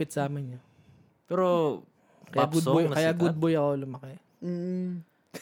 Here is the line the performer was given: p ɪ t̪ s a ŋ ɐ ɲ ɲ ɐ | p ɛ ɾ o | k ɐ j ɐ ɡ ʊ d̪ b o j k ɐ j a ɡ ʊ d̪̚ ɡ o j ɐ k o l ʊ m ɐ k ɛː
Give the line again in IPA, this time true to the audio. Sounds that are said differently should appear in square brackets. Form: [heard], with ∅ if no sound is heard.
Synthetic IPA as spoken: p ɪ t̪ s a [m] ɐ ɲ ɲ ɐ | p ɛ ɾ o | k ɐ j [a] ɡ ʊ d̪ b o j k ɐ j a ɡ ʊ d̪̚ [b] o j ɐ k o l ʊ m ɐ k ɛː